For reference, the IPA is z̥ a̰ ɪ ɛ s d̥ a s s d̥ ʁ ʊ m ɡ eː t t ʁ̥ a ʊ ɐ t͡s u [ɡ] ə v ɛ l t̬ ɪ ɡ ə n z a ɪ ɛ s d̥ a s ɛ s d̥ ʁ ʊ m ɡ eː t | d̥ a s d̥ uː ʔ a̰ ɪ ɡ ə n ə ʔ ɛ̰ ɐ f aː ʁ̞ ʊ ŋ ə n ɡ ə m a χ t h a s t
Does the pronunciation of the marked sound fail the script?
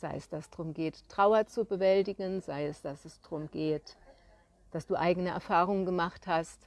yes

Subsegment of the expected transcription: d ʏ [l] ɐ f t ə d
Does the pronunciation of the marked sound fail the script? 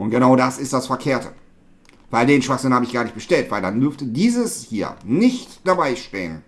yes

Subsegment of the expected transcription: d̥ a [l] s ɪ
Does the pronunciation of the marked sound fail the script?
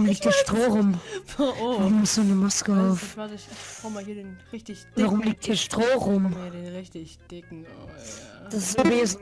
yes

